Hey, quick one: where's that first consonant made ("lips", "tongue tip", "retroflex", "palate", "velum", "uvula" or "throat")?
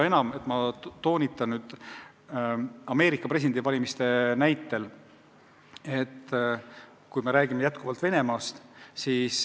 tongue tip